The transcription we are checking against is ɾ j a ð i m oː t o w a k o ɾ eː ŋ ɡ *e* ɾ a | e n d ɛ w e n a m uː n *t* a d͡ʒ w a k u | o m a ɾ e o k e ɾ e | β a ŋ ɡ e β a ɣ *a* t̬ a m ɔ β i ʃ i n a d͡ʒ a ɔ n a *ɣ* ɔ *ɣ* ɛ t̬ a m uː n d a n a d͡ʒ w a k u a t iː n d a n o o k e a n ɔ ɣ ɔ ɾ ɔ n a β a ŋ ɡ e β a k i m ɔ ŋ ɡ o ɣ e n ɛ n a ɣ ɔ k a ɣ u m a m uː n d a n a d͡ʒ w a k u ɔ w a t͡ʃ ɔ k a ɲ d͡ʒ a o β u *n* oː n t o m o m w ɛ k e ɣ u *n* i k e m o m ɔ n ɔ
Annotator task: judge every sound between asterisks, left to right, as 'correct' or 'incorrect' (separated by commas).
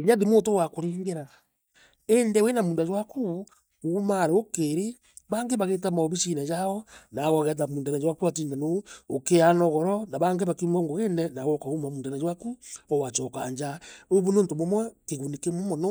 correct, incorrect, incorrect, correct, correct, correct, correct